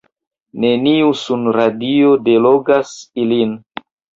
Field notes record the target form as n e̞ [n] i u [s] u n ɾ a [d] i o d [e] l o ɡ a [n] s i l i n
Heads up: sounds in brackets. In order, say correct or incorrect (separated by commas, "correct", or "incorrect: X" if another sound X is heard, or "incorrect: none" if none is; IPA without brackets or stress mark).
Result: correct, correct, correct, correct, incorrect: none